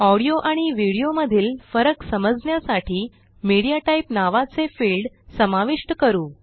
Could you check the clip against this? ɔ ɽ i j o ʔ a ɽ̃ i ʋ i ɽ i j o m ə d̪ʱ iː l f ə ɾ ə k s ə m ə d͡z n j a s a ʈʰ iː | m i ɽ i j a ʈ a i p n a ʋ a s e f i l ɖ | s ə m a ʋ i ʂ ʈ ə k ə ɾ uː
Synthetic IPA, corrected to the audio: ɔ ɽ i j o ʔ a ɽ̃ i ʋ i ɽ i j o m ə d̪ʱ iː l f ə ɾ ə k s ə m ə d͡z n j a s a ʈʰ iː | m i ɽ i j a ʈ a i p n a ʋ a t͡s e f i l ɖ | s ə m a ʋ i ʂ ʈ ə k ə ɾ uː